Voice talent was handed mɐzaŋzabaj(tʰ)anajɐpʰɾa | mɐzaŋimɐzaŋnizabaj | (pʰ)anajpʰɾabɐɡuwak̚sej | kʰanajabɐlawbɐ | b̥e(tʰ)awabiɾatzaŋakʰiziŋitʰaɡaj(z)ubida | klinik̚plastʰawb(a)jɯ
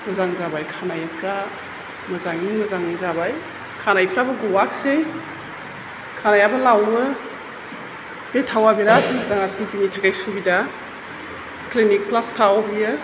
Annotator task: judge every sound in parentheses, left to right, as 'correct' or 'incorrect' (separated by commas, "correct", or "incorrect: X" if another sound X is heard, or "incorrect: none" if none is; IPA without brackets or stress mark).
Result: incorrect: kʰ, incorrect: kʰ, correct, incorrect: s, incorrect: i